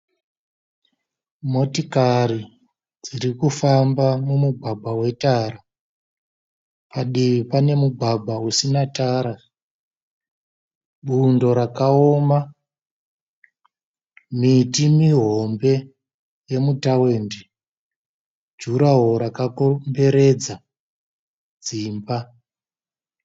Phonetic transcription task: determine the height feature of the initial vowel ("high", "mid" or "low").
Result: mid